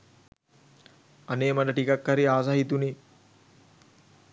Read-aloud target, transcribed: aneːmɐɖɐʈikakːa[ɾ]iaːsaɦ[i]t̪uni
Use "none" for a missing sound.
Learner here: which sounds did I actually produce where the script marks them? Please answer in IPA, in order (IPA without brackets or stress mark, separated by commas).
ɾ, i